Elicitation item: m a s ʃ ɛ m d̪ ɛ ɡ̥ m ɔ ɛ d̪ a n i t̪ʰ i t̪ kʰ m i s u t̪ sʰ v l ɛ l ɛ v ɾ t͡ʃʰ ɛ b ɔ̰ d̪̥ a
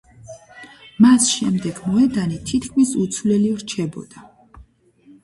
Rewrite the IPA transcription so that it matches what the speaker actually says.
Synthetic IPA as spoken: m a s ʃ ɛ m d̪ ɛ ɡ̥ m ɔ ɛ d̪ a n i t̪ʰ i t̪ kʰ m i s u t̪ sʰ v l ɛ l i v ɾ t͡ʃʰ ɛ b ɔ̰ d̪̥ a